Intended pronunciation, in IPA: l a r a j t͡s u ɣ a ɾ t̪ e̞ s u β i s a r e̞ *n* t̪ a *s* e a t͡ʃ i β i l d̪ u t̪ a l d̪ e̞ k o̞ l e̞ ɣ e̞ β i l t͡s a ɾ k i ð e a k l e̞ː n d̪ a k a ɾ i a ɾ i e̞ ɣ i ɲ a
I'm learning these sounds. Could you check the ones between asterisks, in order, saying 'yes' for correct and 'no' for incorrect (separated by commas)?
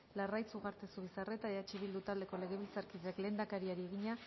no, no